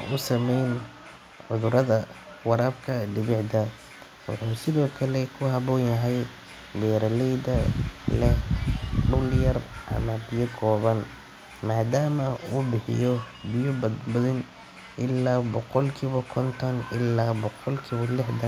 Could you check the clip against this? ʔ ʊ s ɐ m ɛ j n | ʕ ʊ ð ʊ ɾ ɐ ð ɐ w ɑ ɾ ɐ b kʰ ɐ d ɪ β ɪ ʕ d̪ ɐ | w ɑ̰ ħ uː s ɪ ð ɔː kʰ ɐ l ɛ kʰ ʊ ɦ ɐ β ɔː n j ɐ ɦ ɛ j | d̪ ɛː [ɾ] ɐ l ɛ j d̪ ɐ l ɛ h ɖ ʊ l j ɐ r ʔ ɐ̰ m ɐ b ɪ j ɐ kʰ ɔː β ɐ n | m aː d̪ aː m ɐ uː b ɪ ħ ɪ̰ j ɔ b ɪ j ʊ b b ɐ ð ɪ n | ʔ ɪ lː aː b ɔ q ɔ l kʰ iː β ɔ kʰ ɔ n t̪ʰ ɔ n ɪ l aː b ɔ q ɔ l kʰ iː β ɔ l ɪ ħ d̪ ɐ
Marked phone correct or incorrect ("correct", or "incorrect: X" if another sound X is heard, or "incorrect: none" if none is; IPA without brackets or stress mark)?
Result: correct